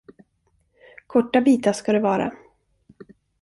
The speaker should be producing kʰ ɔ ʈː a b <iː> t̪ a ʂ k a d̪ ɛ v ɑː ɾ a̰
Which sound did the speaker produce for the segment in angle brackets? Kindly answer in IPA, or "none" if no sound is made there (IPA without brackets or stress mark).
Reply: iː